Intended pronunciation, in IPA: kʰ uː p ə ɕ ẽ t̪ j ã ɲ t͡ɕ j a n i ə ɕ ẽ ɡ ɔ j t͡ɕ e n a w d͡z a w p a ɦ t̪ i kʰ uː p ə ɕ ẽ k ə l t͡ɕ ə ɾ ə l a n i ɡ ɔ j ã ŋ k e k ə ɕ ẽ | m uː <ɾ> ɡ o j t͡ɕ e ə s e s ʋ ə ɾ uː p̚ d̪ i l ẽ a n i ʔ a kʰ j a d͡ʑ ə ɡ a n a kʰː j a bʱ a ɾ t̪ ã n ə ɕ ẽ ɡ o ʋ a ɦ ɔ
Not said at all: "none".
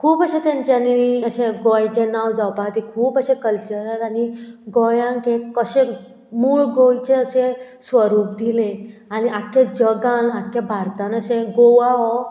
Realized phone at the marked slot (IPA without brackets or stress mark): ɭ